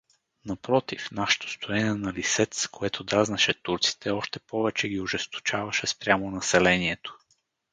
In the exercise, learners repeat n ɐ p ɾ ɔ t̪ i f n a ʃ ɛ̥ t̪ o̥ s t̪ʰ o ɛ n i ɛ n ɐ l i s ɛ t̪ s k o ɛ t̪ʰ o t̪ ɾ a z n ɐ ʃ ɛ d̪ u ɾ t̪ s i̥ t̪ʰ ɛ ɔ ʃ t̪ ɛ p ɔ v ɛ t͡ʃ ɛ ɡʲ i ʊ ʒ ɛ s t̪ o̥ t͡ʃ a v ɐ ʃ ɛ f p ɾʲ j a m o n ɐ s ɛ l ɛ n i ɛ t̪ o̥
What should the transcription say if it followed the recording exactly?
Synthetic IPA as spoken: n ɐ p ɾ ɔ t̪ i f n a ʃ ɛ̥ t̪ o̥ s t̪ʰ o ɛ n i ɛ n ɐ l i s ɛ t̪ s k o ɛ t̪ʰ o d̪ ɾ a z n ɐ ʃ ɛ t̪ u ɾ t̪ s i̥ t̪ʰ ɛ ɔ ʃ t̪ ɛ p ɔ v ɛ t͡ʃ ɛ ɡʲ i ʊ ʒ ɛ s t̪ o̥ t͡ʃ a v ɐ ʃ ɛ s p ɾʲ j a m o n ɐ s ɛ l ɛ n i ɛ t̪ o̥